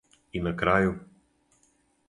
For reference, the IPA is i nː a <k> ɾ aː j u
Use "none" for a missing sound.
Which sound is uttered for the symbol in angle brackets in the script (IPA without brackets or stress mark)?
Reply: k